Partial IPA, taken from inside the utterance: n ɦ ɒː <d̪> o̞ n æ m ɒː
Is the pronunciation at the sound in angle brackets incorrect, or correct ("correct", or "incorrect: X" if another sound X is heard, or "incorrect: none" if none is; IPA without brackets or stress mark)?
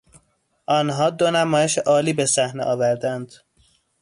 correct